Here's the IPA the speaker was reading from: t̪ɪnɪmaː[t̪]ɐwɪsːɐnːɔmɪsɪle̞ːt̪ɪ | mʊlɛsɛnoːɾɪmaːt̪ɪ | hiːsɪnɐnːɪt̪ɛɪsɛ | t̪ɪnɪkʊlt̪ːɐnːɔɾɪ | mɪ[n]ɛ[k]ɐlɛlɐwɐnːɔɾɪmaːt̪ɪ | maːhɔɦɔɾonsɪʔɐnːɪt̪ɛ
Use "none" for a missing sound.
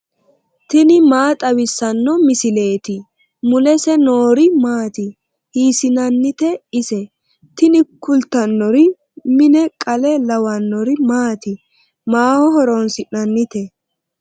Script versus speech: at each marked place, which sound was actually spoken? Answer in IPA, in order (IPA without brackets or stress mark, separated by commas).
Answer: t̪ʼ, n, kʼ